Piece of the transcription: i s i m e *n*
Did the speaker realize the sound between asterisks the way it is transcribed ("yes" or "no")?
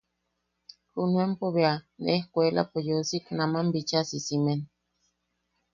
yes